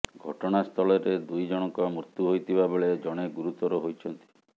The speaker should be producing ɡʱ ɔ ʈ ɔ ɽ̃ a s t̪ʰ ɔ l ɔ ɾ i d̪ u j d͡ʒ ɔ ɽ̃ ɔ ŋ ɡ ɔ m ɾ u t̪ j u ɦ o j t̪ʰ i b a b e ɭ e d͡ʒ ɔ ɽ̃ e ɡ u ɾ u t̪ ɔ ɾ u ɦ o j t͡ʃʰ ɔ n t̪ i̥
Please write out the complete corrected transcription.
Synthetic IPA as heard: ɡʱ ɔ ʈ ɔ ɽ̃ a s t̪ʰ ɔ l ɔ ɾ e d̪ u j d͡ʒ ɔ ɽ̃ ɔ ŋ k ɔ m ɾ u t̪ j u ɦ o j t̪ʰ i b a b e ɭ e d͡ʒ ɔ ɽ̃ e ɡ u ɾ u t̪ ɔ ɾ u ɦ o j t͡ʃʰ ɔ n t̪ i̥